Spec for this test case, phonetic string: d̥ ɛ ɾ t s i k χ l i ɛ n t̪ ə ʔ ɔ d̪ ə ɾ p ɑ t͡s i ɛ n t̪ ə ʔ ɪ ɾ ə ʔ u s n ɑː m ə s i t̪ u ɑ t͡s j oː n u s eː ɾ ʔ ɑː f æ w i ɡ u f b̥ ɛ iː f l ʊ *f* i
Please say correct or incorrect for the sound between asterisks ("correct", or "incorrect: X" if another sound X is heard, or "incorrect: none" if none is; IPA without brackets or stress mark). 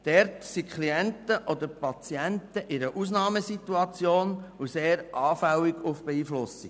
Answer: incorrect: s